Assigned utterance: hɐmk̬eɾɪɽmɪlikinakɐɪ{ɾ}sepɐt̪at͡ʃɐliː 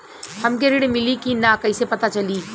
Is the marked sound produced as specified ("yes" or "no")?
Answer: no